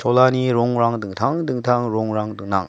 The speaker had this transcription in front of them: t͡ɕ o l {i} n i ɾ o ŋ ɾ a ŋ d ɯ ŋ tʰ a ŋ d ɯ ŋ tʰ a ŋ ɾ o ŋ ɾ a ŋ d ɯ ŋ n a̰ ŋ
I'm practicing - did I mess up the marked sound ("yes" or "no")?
yes